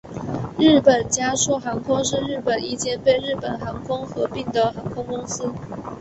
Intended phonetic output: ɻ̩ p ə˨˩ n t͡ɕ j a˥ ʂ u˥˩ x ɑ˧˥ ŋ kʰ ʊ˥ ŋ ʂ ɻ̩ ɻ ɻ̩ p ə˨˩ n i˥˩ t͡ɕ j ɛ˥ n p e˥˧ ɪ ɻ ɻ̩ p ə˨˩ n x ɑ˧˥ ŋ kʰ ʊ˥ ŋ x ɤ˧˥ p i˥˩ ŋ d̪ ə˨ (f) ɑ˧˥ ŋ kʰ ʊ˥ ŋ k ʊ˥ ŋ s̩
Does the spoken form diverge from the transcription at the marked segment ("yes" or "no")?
yes